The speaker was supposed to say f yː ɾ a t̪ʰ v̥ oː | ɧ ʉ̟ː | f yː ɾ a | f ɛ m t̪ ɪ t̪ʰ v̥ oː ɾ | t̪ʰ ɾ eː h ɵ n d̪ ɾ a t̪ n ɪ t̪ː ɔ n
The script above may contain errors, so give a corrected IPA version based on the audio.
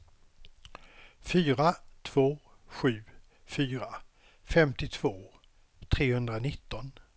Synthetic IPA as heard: f yː ɾ a t̪ʰ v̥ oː | ɧ ʉ̟ː | f yː ɾ a | f ɛ m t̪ ɪ t̪ʰ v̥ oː | t̪ʰ ɾ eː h ɵ n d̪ ɾ a n ɪ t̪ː ɔ n